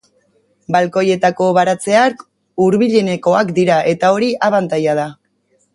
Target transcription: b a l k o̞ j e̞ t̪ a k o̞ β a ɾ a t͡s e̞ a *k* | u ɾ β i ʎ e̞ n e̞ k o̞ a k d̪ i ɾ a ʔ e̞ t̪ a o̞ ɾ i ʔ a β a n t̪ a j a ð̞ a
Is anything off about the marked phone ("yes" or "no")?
no